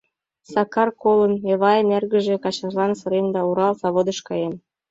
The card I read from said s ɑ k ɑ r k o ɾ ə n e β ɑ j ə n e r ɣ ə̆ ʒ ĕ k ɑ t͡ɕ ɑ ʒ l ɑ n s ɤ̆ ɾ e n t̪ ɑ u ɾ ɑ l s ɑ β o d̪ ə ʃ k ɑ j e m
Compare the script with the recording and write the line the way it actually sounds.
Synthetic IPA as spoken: s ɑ k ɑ r k o l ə n e β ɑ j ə n e r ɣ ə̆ ʒ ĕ k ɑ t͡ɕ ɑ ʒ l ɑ n s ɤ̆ ɾ e n d̪ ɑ u ɾ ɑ l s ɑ β o d̪ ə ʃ k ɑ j e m